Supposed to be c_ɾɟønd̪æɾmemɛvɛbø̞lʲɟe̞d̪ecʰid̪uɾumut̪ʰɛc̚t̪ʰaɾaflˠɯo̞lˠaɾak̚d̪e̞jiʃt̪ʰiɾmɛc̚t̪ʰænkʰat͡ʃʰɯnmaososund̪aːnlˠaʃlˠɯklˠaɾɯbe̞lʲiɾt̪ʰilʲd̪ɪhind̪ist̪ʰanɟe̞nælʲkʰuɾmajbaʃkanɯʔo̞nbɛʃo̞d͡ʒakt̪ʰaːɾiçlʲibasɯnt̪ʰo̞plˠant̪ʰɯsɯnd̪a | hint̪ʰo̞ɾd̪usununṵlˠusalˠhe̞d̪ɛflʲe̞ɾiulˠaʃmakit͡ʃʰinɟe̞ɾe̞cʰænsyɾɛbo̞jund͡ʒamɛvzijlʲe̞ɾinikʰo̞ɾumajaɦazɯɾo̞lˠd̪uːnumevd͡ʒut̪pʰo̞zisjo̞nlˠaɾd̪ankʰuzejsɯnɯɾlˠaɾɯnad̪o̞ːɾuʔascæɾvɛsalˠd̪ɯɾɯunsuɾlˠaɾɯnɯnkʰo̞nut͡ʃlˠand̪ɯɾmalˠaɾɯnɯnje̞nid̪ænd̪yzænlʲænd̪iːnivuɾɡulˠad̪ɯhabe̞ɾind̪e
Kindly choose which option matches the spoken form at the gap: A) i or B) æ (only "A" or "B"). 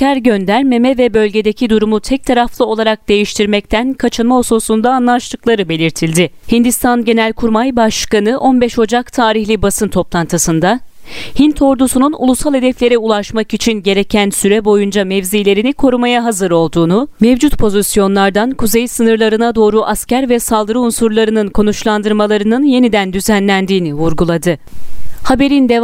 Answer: B